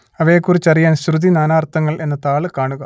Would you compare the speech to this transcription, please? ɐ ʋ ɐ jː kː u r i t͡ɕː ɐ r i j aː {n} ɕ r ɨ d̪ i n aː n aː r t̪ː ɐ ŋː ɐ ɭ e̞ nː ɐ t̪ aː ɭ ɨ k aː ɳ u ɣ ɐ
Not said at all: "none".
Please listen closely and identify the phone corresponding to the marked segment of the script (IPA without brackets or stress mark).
n